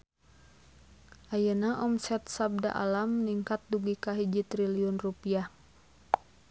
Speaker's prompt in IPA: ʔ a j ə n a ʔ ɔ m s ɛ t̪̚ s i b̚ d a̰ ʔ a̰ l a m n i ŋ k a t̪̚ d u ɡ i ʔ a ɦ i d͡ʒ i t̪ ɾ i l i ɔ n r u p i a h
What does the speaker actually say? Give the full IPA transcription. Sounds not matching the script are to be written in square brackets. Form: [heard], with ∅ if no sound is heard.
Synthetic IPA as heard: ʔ a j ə n a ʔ ɔ m s ɛ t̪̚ s [a] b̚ d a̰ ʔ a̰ l a m n i ŋ k a t̪̚ d u ɡ i [k] a ɦ i d͡ʒ i t̪ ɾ i l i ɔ n r u p i a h